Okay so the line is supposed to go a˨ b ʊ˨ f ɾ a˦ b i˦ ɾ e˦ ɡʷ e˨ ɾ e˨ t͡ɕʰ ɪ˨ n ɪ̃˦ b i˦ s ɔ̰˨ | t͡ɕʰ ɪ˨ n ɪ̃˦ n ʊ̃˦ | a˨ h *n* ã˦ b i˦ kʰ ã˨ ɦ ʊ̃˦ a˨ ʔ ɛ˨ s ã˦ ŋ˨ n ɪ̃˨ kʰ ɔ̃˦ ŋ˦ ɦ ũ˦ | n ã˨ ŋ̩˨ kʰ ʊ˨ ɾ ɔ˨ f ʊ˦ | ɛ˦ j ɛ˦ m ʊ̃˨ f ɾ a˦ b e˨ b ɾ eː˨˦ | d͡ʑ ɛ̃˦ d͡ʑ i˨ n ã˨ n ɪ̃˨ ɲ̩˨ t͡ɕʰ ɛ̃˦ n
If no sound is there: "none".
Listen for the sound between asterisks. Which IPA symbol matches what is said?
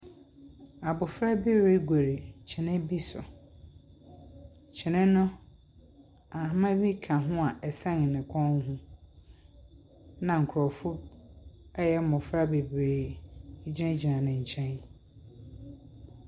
m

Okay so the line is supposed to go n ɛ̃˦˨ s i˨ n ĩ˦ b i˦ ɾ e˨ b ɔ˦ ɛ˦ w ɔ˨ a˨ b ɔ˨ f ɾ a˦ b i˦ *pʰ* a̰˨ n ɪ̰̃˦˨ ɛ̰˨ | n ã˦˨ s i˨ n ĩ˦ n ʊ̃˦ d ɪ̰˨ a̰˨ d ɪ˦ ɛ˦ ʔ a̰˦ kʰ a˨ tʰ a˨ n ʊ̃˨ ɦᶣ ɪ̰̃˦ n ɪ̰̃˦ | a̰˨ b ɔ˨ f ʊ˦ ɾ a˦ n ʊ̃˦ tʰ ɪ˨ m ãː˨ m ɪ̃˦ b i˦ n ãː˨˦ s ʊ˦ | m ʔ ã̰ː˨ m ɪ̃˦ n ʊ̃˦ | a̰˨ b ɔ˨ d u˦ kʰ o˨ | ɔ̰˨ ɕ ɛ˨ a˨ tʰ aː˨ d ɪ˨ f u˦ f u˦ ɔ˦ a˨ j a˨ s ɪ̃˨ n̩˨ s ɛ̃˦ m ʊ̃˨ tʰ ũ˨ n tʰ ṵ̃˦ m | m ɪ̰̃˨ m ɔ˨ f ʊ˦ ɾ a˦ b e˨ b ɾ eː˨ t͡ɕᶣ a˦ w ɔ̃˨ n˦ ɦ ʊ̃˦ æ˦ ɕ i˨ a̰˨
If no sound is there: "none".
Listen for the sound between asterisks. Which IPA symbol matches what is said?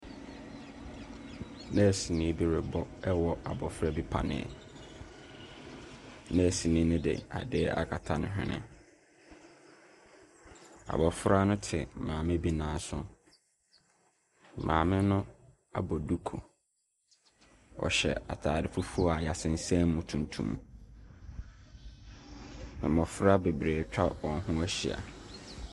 pʰ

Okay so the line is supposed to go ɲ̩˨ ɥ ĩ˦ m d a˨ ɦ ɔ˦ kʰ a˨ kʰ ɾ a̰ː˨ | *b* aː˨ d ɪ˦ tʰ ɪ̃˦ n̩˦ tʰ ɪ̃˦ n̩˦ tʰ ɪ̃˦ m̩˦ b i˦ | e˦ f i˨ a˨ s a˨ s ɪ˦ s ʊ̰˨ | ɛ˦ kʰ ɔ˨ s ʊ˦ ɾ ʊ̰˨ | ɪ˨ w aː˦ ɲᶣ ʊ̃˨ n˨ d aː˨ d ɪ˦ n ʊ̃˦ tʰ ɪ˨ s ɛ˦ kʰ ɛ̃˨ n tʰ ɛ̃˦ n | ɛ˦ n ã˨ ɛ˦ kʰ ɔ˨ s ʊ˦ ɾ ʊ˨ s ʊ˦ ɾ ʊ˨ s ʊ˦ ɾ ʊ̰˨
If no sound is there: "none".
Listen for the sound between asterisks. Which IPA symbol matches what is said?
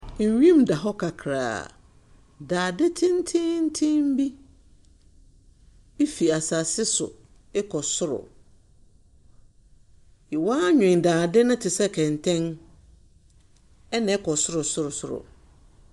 d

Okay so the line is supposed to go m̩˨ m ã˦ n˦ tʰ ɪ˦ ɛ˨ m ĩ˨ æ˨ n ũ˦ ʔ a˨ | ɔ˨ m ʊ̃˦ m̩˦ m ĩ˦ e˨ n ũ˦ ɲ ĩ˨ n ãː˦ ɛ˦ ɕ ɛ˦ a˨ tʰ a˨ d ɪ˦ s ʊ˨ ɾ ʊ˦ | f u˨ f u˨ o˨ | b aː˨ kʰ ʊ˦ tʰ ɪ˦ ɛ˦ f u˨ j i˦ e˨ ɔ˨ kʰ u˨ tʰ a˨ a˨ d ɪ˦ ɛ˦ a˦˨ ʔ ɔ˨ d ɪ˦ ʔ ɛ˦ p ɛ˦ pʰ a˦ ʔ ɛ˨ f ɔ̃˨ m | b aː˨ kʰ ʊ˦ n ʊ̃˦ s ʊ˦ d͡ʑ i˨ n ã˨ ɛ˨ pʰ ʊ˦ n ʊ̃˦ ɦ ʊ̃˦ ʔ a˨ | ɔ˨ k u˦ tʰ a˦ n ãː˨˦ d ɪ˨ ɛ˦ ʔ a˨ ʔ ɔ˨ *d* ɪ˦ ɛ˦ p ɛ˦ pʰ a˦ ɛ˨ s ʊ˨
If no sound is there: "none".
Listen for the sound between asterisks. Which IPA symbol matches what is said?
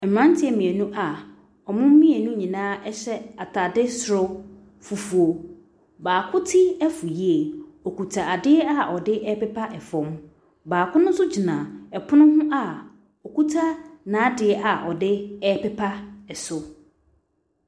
d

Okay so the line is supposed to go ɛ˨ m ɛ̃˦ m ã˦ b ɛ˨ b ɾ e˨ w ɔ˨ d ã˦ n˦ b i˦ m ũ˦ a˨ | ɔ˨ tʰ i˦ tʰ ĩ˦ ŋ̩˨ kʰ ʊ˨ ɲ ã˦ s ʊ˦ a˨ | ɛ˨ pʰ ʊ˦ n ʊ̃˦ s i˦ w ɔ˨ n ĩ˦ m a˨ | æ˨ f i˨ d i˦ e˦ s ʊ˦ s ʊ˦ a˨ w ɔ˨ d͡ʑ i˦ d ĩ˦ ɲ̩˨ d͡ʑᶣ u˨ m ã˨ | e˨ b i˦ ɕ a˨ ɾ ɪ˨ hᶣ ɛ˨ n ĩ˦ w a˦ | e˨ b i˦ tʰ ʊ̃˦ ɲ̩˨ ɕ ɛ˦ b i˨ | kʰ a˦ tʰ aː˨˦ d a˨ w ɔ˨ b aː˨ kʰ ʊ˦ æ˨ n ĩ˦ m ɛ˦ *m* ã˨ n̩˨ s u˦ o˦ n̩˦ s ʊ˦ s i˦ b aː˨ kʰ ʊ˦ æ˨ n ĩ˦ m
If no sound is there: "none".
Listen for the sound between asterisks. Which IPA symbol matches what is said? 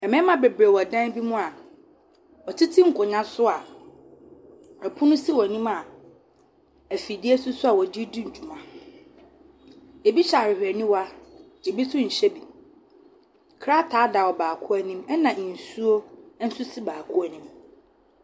n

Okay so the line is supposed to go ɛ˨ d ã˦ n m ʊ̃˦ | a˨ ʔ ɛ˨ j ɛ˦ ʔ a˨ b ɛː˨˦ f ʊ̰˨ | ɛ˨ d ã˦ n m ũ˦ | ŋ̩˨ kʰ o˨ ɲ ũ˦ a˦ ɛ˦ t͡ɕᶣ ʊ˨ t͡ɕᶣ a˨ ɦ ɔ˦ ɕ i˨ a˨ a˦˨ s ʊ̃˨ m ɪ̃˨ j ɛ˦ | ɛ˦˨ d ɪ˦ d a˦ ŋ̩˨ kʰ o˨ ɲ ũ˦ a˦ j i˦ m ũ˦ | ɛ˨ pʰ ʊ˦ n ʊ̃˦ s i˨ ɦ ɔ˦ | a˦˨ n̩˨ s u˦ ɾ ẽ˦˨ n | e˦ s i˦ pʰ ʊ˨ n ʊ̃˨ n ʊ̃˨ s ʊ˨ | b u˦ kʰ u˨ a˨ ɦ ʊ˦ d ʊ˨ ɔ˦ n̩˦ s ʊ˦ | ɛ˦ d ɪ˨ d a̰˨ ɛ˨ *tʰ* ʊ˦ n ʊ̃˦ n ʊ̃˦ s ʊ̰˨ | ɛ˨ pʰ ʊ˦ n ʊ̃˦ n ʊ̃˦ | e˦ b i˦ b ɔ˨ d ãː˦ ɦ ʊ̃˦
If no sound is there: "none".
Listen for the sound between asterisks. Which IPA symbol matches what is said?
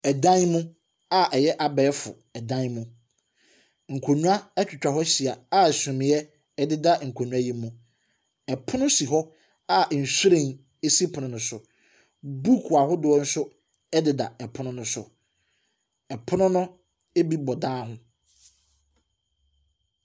pʰ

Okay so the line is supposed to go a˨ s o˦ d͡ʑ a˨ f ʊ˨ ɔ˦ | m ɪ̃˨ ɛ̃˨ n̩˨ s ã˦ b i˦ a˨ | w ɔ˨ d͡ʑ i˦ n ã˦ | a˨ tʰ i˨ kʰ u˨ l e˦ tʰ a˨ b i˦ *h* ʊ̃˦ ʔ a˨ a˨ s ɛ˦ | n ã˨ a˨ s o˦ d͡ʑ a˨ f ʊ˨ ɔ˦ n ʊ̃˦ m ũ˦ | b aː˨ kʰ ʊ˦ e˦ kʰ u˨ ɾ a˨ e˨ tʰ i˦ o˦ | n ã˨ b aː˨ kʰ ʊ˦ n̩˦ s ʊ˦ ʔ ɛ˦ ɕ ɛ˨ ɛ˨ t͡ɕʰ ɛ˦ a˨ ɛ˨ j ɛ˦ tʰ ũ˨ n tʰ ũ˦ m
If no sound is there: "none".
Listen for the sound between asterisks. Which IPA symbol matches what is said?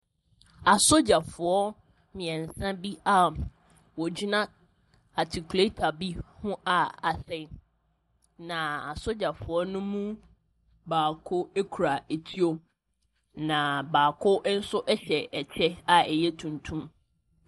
h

